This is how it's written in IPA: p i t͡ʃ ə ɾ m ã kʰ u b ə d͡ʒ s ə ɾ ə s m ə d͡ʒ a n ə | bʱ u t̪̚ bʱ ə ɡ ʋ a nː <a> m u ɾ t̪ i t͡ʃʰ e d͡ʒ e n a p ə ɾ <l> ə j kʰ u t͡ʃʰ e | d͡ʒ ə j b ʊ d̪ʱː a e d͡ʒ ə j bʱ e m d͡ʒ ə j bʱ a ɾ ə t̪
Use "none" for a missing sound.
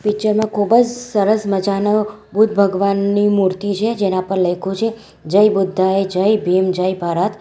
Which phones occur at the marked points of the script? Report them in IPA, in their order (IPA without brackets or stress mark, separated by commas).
i, l